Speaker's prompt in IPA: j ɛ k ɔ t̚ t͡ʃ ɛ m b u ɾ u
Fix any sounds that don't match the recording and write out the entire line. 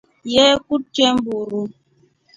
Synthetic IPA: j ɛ k u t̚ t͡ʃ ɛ m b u ɾ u